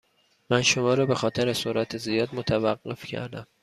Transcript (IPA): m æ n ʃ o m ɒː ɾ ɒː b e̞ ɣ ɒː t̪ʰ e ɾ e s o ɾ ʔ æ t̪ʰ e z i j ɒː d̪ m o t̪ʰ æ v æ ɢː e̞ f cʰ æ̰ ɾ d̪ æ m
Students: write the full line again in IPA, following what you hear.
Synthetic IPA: m æ n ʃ o m ɒː ɾ ɒː b e̞ x ɒː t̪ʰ e ɾ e s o ɾ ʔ æ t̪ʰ e z i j ɒː d̪ m o t̪ʰ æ v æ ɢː e̞ f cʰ æ̰ ɾ d̪ æ m